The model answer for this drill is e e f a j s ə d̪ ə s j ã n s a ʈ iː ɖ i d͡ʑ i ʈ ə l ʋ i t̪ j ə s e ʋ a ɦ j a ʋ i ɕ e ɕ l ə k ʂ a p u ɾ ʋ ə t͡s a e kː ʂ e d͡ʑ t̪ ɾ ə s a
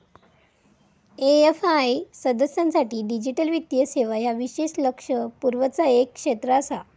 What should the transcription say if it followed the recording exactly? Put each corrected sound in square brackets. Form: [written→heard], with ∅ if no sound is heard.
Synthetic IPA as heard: e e f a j s ə d̪ ə s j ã n s a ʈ iː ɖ i d͡ʑ i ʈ ə l ʋ i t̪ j ə s e ʋ a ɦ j a ʋ i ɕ e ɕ l ə k ʂ [a→ə] p u ɾ ʋ ə t͡s a e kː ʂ e [d͡ʑ→∅] t̪ ɾ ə s a